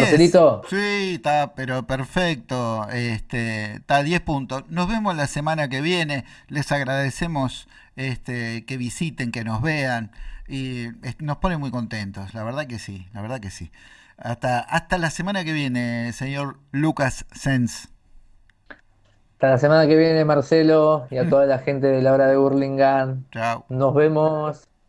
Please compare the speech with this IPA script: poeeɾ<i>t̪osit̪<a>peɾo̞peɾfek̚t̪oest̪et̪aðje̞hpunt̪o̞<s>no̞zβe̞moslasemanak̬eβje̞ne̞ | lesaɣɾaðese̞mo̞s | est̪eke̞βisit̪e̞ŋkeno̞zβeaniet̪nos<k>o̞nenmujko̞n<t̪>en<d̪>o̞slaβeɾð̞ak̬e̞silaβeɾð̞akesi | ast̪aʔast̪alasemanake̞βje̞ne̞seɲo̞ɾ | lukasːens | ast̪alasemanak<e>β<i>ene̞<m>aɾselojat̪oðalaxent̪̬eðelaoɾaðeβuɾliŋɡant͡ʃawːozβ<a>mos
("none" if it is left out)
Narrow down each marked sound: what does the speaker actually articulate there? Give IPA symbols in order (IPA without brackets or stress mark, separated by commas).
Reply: i, a, s, p, t̪, t̪, e, j, m, e